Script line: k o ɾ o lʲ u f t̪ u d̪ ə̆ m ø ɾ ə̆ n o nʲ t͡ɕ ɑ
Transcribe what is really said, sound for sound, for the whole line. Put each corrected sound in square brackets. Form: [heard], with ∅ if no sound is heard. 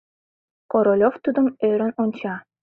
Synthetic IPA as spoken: k o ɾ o lʲ [o] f t̪ u d̪ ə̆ m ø ɾ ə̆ n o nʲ t͡ɕ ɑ